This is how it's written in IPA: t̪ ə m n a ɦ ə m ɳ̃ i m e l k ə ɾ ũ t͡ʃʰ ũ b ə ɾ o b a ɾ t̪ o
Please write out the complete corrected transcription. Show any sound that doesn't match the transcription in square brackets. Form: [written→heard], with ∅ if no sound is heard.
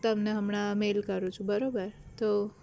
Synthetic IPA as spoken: t̪ ə m n [a→e] ɦ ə m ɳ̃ [i→a] m e l k ə ɾ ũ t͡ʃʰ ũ b ə ɾ o b [a→ə] ɾ t̪ o